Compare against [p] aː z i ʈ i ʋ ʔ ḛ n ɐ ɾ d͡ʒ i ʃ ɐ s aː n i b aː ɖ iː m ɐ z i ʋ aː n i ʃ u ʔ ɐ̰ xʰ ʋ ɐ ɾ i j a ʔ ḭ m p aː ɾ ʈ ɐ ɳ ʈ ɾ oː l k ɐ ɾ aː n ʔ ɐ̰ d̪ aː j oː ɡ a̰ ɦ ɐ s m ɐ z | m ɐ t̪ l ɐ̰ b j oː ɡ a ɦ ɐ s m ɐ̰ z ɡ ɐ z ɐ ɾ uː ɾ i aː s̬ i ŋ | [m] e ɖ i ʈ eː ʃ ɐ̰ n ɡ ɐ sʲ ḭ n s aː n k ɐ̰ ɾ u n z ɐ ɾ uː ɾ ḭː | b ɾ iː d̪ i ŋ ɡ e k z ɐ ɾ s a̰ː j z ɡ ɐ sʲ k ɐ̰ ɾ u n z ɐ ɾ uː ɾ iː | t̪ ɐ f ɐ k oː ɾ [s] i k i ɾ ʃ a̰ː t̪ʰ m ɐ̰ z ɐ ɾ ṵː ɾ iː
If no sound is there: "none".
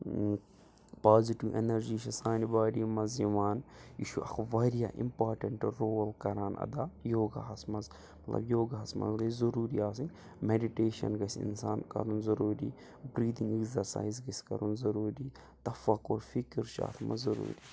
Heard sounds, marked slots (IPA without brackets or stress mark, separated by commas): p, m, f